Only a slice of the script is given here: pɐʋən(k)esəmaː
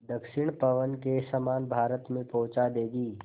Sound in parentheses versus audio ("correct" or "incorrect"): correct